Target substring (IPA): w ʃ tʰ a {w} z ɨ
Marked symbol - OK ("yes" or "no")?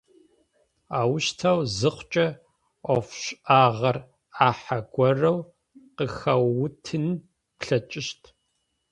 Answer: yes